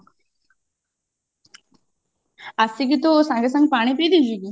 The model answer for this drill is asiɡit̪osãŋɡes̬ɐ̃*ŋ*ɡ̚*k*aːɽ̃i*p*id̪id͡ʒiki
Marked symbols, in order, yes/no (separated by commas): yes, no, yes